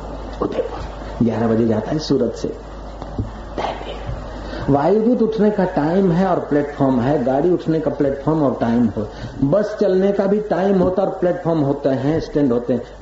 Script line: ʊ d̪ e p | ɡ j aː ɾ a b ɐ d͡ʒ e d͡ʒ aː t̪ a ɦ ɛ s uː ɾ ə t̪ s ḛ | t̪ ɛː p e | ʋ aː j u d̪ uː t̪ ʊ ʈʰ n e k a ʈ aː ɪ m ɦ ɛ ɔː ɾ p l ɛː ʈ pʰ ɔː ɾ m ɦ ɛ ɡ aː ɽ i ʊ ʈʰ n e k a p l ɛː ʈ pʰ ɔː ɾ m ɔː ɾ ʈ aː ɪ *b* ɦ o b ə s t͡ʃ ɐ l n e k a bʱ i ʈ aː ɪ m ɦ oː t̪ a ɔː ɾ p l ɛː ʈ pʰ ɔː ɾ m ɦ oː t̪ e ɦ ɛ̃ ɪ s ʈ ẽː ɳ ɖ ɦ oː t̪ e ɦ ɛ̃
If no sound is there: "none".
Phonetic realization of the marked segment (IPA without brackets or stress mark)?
m